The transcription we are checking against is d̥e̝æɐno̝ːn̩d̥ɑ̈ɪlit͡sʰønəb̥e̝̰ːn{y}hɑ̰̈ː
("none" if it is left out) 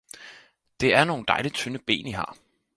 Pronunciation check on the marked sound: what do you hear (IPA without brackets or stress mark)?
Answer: i